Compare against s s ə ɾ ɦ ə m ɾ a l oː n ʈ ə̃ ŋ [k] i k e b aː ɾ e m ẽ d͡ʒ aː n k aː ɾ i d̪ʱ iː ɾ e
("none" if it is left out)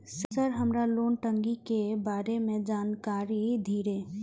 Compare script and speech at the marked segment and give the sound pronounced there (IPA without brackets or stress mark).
ɡ